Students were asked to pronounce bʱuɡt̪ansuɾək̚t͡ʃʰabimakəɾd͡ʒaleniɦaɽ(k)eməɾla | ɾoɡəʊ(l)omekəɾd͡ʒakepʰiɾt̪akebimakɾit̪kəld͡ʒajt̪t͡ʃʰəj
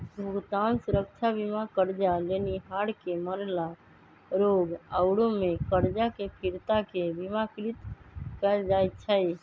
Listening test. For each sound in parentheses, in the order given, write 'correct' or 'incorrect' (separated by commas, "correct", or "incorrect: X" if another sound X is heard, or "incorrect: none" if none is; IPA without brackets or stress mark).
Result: correct, incorrect: ɽ